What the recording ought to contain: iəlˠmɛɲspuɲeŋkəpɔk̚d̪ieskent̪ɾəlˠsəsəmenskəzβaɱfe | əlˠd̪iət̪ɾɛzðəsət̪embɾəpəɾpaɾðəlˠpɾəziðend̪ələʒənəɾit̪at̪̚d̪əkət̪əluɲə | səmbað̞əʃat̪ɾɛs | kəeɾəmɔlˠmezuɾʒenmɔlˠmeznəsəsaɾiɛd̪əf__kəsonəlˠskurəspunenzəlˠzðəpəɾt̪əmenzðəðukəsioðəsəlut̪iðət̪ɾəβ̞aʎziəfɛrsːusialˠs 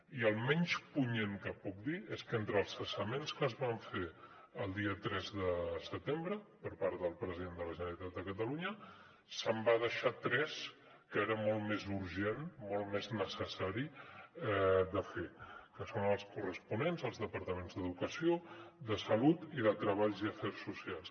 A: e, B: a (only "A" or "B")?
A